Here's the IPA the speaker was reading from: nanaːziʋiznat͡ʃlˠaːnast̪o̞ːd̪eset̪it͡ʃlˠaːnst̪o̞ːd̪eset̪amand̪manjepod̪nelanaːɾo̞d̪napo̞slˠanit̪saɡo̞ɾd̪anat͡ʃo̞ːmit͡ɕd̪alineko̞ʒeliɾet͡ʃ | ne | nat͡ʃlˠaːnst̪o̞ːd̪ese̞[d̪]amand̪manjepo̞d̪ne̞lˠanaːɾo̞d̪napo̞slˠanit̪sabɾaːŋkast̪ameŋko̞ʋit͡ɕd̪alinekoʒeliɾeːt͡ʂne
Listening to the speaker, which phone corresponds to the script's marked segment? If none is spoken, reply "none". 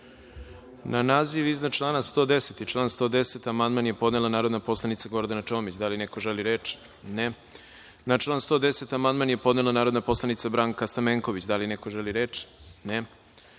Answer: t̪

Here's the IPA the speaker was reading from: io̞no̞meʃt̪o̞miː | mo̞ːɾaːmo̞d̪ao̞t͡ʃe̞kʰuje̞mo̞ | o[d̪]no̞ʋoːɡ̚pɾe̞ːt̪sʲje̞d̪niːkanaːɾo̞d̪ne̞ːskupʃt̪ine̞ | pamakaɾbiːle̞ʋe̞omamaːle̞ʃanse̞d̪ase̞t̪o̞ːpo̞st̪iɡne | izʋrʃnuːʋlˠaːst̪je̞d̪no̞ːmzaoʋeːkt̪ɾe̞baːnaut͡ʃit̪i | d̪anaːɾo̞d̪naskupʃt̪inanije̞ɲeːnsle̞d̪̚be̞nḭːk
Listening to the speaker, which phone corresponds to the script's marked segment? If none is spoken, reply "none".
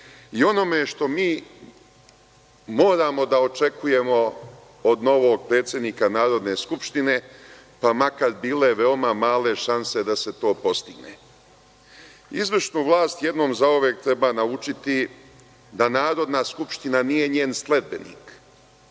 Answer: d̪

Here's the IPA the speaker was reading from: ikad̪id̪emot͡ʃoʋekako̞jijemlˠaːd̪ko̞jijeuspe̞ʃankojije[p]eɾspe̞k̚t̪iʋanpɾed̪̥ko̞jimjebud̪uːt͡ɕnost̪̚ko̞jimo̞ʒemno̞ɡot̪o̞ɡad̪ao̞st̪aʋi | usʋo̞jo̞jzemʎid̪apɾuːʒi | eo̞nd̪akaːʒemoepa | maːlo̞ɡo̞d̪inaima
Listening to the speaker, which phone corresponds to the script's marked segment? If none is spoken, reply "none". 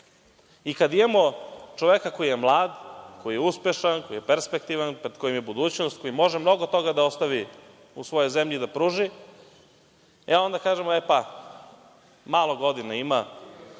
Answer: p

